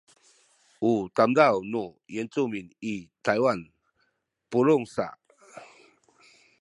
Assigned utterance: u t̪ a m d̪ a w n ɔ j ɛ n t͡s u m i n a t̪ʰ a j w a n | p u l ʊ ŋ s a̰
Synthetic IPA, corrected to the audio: u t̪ a m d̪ a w n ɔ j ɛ n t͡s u m i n i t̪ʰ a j w a n | p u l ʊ ŋ s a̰